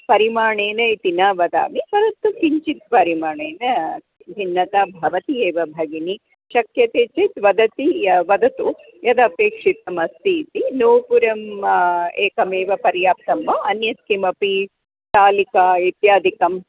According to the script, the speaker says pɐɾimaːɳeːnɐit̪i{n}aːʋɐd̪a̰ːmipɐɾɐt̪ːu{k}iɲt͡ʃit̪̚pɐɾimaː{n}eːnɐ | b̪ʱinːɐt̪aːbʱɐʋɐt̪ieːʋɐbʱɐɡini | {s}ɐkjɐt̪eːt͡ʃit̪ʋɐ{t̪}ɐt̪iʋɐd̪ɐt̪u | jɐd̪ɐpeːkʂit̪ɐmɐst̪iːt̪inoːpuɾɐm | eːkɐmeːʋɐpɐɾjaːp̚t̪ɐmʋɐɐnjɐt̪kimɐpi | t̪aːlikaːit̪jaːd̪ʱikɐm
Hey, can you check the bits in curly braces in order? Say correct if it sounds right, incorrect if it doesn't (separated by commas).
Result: correct, correct, incorrect, incorrect, incorrect